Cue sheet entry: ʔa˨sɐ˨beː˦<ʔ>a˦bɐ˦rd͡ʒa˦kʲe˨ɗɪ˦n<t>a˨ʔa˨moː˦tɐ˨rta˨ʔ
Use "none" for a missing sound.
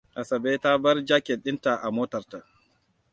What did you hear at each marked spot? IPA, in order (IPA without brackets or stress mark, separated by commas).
t, t